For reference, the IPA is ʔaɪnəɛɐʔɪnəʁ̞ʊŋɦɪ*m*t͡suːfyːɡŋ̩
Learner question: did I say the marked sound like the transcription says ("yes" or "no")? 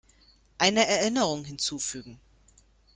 no